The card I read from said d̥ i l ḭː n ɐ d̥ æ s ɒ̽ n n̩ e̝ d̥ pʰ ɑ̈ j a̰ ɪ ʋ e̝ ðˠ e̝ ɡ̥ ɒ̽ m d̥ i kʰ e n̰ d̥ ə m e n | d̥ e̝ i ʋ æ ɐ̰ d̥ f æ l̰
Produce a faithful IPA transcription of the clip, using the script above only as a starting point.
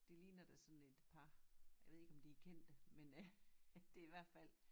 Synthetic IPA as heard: d̥ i l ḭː n ɐ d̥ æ s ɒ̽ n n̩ e̝ d̥ pʰ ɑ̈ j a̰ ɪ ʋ e̝ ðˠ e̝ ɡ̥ ɒ̽ m d̥ i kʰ e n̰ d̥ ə m e n | d̥ e̝ i ʋ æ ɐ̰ d̥ f æ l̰